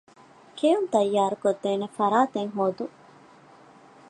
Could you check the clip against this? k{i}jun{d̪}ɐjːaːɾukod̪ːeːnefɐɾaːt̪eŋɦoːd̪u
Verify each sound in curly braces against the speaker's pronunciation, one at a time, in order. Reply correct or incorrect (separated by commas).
incorrect, incorrect